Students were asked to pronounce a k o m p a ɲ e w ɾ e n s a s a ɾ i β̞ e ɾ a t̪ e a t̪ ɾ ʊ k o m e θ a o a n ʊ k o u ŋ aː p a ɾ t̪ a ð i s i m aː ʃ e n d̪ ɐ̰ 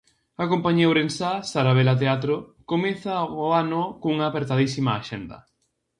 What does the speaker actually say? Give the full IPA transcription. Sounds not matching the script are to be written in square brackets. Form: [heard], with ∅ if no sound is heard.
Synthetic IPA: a k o m p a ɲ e w ɾ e n s a s a ɾ [a] β̞ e [l] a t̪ e a t̪ ɾ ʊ k o m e θ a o a n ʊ k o u ŋ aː p [e] ɾ t̪ a ð i s i m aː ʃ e n d̪ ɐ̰

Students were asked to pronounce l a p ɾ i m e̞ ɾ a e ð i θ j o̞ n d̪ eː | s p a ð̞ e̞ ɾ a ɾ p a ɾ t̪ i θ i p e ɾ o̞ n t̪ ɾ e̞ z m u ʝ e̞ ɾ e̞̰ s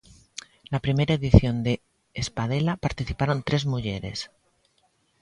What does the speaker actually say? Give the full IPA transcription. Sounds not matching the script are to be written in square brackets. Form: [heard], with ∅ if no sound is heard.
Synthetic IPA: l a p ɾ i m e̞ ɾ a e ð i θ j o̞ n d̪ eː | s p a ð̞ e̞ [l] a [∅] p a ɾ t̪ i θ i p [a] ɾ o̞ n t̪ ɾ e̞ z m u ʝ e̞ ɾ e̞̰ s

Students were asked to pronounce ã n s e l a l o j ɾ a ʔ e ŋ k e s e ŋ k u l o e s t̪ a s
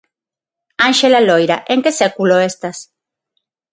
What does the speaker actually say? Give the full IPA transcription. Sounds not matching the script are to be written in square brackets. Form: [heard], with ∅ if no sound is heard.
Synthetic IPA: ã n [ʃ] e l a l o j ɾ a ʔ e ŋ k e s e [∅] k u l o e s t̪ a s

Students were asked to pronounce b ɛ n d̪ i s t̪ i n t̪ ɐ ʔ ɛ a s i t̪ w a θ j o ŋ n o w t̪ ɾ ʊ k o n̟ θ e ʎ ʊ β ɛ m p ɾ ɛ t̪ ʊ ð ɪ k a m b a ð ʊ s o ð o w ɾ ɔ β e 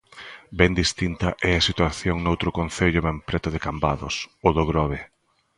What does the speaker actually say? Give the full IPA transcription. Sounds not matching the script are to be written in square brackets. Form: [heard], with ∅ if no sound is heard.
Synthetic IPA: b ɛ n d̪ i s t̪ i n t̪ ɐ ʔ ɛ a s i t̪ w a θ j o ŋ n o w t̪ ɾ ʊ k o n̟ θ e ʎ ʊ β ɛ m p ɾ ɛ t̪ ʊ ð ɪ k a m b a ð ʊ s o ð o [ɣ] ɾ ɔ β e

